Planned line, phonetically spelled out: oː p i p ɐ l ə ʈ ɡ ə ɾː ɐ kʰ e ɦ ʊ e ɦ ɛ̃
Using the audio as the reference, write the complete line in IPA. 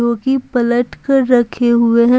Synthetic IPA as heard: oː k i p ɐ l ə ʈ k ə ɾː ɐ kʰ e ɦ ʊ e ɦ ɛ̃